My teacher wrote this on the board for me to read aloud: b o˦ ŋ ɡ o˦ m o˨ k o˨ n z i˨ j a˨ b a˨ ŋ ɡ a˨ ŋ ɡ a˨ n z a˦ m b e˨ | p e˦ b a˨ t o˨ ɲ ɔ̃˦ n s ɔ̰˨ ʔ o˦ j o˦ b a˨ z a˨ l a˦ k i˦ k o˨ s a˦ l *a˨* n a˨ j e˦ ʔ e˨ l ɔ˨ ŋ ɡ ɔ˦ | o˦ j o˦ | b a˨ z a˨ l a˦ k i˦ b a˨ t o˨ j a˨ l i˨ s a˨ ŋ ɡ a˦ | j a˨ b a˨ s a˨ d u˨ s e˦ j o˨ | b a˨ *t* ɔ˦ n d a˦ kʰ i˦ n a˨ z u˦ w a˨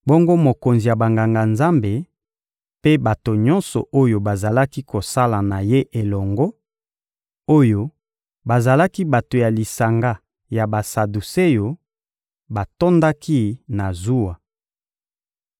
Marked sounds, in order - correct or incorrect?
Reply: correct, correct

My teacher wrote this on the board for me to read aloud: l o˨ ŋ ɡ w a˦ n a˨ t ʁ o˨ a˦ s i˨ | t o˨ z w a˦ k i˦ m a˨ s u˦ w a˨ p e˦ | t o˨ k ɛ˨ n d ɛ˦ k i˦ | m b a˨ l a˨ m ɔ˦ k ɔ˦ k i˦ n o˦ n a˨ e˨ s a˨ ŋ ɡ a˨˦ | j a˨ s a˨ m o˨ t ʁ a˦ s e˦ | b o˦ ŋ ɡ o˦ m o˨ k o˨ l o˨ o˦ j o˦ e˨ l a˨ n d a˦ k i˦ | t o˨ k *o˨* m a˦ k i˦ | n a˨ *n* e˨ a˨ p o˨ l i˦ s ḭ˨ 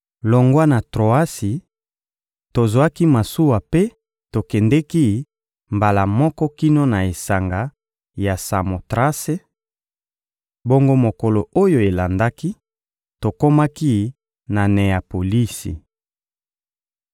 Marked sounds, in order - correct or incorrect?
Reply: incorrect, correct

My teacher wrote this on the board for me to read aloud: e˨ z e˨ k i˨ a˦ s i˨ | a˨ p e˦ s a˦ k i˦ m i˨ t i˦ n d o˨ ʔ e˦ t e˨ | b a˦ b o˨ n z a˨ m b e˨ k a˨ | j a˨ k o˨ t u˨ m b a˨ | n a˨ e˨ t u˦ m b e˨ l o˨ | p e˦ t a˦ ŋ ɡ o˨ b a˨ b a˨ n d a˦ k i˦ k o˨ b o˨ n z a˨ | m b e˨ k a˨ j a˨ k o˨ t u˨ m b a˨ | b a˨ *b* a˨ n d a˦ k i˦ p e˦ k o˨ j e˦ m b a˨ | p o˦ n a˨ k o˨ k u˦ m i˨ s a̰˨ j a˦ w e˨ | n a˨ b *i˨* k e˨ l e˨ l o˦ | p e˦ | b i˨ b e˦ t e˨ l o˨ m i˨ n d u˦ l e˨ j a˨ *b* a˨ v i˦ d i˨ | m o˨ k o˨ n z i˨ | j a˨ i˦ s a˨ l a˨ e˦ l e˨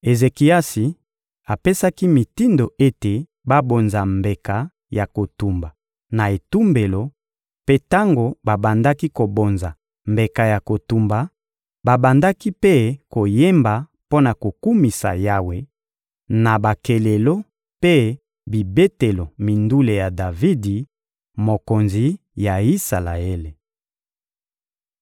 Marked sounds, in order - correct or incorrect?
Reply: correct, incorrect, incorrect

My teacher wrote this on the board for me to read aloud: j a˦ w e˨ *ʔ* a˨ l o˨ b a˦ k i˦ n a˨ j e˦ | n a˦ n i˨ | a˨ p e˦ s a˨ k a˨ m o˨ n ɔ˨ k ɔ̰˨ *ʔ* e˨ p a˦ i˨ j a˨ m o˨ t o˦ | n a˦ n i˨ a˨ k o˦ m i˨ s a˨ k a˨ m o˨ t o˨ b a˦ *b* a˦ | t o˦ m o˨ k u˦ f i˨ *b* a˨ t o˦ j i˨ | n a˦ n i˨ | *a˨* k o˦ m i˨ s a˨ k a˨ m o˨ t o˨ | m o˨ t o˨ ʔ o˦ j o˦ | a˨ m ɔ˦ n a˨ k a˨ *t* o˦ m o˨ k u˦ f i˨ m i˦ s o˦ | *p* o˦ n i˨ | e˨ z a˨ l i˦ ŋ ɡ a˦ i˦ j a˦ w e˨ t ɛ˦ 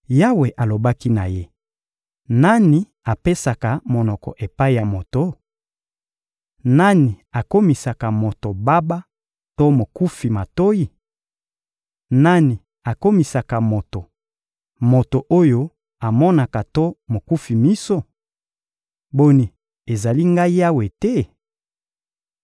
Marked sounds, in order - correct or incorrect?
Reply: correct, correct, correct, incorrect, correct, correct, incorrect

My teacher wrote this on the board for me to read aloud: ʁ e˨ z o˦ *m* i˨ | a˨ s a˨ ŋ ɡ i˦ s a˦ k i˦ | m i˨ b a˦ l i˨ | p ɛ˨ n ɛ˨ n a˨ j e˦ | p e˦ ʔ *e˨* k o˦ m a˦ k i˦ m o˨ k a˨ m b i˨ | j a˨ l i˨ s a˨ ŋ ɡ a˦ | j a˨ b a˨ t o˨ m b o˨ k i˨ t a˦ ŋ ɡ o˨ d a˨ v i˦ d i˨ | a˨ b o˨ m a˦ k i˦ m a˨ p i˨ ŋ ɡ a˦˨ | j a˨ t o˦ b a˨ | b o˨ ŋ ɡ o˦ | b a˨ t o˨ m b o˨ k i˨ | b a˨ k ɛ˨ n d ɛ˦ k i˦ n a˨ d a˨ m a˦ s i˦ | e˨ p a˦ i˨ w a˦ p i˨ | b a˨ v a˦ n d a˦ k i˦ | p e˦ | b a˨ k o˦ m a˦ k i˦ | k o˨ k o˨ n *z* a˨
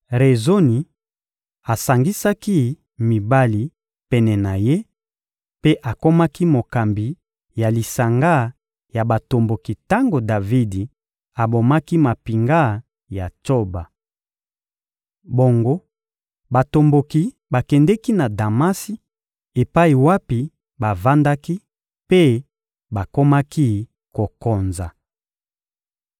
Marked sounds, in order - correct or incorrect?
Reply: incorrect, incorrect, correct

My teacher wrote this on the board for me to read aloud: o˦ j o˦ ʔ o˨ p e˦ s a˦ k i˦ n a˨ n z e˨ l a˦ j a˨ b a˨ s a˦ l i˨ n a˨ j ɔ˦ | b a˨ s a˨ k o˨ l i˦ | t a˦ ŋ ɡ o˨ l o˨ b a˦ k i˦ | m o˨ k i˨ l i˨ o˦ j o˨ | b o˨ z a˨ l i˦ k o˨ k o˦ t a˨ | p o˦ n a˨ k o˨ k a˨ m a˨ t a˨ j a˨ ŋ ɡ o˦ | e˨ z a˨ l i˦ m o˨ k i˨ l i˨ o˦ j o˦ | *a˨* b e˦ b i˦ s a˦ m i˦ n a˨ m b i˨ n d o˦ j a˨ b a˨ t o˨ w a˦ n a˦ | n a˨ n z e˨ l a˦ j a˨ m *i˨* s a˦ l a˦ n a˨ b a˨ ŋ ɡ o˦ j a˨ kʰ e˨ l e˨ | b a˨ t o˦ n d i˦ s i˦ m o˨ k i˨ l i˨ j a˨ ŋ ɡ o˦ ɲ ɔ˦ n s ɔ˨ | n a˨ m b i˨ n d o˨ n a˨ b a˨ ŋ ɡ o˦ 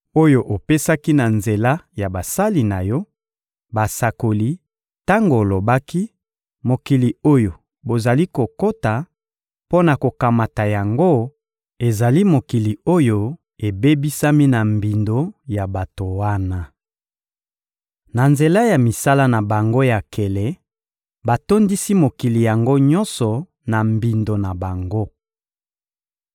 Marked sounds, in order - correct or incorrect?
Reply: incorrect, correct

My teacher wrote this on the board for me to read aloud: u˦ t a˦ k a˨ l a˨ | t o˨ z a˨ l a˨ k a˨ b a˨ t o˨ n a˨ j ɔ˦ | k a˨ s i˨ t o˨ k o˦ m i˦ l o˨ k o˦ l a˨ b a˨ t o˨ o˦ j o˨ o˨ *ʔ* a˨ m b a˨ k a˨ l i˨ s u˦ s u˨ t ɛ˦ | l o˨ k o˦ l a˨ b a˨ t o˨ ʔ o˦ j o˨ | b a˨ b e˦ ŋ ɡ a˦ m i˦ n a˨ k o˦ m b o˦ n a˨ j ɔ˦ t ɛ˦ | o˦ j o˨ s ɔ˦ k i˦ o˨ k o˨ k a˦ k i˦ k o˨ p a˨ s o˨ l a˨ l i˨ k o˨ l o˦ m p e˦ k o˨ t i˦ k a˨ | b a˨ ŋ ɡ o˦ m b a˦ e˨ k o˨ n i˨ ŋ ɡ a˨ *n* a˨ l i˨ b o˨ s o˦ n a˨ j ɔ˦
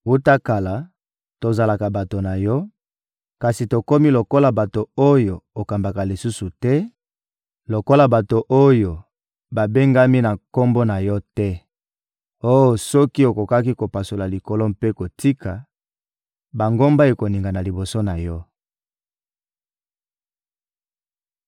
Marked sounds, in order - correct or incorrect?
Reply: incorrect, correct

